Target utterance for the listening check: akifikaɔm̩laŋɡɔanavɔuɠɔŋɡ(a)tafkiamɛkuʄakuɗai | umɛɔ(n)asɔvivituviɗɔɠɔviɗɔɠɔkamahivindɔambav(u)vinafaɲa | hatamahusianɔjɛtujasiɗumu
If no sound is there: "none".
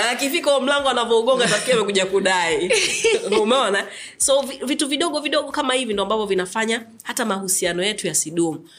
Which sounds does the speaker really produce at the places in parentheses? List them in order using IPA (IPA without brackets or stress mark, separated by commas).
a, n, ɔ